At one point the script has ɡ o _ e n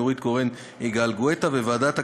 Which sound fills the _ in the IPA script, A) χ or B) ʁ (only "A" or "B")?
B